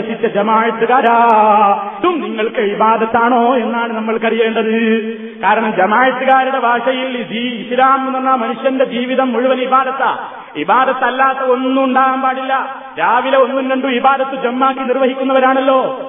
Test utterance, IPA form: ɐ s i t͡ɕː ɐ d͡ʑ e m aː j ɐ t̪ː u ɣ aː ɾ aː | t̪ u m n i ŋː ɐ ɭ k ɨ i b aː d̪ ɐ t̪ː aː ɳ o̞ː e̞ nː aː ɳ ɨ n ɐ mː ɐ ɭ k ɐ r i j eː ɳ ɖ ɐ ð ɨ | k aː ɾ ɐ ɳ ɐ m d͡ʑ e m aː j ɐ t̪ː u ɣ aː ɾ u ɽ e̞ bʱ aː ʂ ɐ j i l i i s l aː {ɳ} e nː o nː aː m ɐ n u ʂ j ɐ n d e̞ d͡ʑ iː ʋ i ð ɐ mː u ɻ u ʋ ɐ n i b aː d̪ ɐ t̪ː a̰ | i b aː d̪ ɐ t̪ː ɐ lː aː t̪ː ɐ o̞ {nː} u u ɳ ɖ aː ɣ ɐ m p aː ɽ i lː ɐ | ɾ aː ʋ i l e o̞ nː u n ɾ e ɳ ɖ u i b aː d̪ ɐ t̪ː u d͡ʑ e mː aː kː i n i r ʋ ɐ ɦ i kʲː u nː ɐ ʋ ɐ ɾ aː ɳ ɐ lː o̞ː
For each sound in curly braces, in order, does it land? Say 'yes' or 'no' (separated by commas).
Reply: no, yes